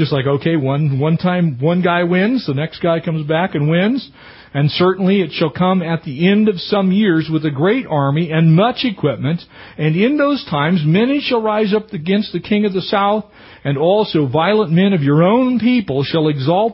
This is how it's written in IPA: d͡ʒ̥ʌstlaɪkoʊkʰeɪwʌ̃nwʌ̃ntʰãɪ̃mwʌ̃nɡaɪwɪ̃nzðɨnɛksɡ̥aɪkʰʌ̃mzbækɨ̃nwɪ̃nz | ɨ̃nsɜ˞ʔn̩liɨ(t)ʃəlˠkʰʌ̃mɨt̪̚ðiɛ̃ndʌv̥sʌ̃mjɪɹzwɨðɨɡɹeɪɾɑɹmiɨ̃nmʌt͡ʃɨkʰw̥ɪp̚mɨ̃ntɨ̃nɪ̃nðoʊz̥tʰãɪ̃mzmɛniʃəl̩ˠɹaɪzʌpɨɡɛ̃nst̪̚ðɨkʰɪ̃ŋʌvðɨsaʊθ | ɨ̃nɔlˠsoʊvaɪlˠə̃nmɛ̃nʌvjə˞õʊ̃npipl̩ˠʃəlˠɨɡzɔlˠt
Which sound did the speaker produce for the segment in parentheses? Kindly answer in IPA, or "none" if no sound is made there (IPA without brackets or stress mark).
t